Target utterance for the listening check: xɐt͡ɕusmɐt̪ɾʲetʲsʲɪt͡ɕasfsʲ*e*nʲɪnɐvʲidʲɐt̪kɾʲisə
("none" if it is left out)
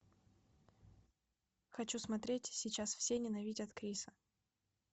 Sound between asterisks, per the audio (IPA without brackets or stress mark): e